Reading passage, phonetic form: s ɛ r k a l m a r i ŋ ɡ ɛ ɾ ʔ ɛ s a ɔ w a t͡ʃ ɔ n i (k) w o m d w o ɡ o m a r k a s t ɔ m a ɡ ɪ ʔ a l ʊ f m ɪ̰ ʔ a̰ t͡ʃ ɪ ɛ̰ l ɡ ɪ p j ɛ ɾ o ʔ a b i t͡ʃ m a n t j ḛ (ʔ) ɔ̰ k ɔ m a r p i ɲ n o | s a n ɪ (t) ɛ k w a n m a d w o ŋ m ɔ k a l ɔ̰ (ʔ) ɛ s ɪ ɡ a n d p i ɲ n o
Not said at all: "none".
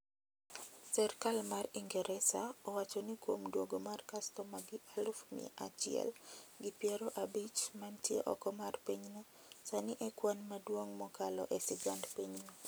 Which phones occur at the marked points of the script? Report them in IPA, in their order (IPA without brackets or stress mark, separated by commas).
k, ʔ, ʔ, ʔ